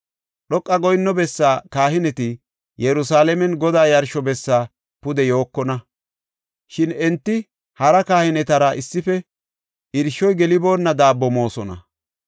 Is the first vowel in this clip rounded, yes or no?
yes